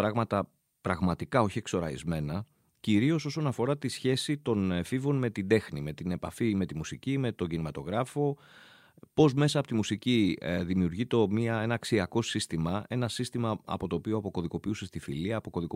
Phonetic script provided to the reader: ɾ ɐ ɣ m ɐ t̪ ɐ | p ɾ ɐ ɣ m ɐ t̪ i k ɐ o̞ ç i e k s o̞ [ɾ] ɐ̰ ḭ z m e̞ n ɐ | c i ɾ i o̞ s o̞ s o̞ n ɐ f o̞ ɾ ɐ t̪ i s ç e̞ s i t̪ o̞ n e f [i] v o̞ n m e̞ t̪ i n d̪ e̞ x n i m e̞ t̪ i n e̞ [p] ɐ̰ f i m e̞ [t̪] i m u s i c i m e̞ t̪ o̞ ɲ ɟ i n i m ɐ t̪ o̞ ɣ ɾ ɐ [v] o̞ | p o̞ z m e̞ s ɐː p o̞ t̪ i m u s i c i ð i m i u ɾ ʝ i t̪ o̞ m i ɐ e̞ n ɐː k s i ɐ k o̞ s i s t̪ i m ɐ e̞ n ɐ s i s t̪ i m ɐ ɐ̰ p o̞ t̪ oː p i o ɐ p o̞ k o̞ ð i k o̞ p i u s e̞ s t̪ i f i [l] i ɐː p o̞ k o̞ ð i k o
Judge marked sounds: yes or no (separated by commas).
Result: yes, yes, yes, yes, no, yes